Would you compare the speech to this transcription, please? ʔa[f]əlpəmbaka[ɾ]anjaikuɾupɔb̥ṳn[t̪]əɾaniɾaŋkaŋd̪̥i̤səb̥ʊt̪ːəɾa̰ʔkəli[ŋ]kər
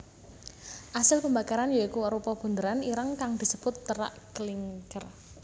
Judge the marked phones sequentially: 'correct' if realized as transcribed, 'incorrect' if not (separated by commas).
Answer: incorrect, correct, incorrect, correct